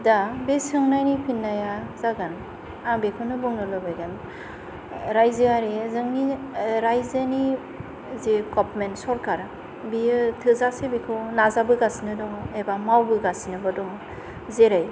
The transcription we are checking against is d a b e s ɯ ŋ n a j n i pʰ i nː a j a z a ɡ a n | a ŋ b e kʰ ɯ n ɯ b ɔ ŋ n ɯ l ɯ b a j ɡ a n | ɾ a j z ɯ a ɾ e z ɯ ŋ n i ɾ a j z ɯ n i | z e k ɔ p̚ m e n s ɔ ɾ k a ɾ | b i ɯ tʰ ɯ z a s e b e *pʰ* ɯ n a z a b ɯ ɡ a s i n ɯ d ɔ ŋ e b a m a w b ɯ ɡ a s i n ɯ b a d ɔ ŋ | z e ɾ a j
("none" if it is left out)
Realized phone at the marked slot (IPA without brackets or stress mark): kʰ